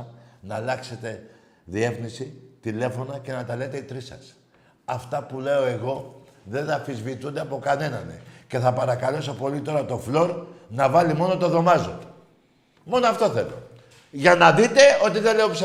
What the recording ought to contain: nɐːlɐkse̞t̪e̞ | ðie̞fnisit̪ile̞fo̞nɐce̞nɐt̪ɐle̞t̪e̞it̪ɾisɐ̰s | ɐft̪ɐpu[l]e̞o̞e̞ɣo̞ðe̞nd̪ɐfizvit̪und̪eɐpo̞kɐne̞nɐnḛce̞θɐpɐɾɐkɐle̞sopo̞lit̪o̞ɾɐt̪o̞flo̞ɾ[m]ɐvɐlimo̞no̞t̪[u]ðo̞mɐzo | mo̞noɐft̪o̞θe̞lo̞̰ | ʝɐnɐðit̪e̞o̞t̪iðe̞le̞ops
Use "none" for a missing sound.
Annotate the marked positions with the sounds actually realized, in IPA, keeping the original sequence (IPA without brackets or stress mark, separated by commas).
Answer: l, n, o